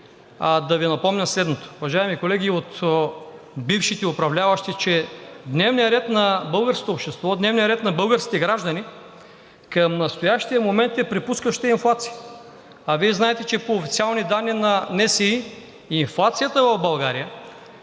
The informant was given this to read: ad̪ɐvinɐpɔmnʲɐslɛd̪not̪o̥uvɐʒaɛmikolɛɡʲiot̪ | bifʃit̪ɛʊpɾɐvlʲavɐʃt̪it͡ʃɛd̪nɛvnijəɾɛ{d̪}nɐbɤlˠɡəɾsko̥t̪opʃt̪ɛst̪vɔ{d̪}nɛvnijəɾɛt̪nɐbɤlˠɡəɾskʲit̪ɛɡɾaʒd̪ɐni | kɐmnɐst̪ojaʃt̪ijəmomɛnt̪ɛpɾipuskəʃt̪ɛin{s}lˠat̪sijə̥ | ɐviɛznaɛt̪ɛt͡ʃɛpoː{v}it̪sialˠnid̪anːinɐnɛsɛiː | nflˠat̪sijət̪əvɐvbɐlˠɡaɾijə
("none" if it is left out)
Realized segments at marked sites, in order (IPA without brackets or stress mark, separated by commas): t̪, d̪, f, f